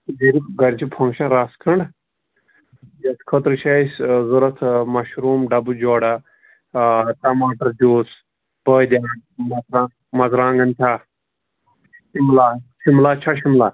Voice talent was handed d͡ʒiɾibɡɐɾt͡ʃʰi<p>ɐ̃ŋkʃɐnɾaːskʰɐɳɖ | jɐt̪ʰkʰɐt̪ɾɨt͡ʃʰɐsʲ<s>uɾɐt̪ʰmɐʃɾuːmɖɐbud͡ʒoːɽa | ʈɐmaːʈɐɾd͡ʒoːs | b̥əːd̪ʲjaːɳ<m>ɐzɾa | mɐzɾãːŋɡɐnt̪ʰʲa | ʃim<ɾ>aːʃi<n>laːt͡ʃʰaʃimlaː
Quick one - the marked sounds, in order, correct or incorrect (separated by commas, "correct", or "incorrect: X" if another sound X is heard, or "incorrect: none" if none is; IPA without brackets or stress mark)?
incorrect: pʰ, incorrect: z, correct, incorrect: l, incorrect: m